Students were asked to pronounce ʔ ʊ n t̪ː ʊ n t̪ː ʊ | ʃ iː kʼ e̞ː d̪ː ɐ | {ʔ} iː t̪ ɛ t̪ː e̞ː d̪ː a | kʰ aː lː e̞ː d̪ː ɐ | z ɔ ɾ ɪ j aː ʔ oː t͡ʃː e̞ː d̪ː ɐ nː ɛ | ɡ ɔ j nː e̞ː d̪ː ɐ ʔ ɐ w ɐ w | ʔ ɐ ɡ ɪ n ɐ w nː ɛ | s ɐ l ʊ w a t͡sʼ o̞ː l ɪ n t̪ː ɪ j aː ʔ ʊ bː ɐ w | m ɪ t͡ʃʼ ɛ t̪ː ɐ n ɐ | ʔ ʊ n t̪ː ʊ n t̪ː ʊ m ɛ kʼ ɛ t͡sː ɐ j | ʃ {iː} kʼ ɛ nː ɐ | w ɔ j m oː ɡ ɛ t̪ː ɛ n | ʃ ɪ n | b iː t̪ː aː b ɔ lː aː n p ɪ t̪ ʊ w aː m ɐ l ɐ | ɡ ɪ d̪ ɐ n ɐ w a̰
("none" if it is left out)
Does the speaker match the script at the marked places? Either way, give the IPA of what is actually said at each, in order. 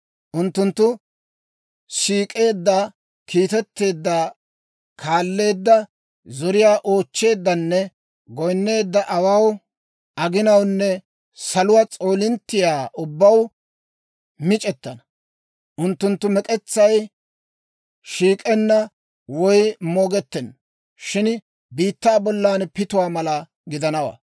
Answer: k, iː

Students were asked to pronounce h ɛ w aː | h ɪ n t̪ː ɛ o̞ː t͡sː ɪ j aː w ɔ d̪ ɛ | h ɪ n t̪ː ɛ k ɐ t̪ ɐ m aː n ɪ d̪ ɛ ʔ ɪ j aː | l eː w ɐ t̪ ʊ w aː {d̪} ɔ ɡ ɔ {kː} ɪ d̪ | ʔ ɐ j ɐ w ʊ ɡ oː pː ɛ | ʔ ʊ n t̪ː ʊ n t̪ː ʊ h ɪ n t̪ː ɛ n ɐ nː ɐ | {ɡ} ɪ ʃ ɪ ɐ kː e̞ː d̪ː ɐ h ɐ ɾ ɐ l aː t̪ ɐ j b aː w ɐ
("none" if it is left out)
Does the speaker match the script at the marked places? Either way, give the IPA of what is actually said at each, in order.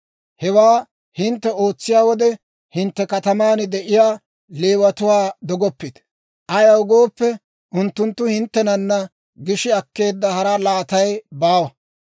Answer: d̪, pː, ɡ

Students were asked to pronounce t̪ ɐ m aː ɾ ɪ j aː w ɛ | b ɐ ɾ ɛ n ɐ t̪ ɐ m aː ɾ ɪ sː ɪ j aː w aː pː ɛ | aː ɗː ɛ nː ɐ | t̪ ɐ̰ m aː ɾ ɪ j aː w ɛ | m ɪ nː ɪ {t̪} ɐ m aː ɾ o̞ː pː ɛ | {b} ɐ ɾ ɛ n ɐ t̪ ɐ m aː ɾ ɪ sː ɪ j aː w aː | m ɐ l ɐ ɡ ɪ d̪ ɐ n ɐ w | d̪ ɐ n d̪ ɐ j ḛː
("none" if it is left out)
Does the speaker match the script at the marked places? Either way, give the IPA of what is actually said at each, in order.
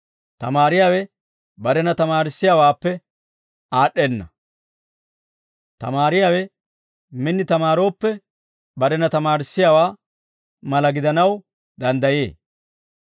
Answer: t̪, b

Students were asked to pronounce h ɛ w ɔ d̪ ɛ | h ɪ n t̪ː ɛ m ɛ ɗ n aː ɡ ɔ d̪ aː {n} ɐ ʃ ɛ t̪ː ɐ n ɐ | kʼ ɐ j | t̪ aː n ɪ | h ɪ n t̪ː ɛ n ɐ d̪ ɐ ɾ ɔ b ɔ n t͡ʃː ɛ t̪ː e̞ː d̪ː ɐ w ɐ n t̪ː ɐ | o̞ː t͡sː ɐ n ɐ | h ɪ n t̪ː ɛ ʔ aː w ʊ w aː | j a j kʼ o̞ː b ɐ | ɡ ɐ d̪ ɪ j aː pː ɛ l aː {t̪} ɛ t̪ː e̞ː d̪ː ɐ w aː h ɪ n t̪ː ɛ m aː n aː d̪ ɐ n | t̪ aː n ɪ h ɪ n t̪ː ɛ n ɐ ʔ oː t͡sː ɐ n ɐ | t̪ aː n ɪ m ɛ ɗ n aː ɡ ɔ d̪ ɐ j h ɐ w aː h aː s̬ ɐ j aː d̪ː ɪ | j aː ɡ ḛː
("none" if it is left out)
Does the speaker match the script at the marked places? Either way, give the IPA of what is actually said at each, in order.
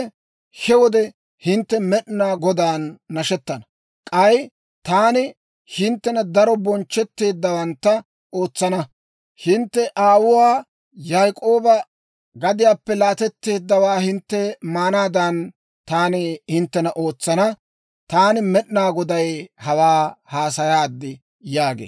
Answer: nː, t̪

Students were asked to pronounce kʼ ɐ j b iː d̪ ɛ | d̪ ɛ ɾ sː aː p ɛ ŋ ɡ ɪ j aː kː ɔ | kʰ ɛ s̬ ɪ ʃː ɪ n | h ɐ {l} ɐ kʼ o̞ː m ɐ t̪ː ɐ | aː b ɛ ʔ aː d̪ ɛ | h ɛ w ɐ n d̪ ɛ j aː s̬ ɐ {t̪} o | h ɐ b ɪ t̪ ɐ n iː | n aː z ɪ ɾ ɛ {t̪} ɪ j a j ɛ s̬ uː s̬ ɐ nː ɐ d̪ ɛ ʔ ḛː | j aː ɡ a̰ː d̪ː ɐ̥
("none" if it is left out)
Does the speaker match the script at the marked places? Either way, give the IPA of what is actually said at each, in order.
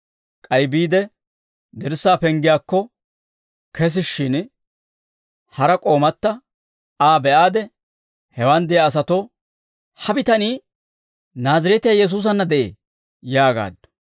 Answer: ɾ, t̪, t̪

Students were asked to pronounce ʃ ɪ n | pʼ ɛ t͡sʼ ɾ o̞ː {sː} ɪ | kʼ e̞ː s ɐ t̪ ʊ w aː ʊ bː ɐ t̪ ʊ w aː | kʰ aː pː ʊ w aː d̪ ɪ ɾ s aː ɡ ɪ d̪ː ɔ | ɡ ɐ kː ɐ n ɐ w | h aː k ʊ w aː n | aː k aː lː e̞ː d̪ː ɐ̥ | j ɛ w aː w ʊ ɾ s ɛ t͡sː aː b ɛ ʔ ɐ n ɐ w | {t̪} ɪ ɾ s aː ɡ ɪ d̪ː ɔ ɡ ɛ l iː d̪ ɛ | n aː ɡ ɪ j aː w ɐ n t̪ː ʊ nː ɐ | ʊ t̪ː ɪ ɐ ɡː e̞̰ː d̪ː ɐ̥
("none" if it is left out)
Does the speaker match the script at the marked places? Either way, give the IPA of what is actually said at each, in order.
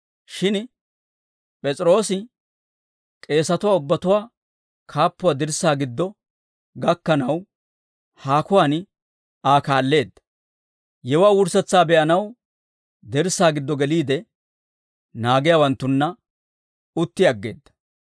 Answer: s, d̪

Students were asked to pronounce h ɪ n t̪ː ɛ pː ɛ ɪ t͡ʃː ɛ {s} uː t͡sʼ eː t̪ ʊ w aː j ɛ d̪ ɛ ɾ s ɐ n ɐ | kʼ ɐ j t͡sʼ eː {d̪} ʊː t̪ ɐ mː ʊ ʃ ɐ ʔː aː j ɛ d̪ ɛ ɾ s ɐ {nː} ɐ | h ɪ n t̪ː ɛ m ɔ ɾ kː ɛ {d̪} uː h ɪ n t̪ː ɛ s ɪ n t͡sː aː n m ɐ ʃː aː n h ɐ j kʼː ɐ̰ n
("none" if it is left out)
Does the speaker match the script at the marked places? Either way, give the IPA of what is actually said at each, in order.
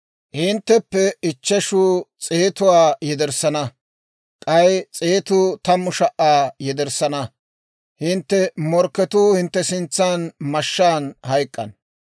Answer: ʃ, t̪, n, t̪

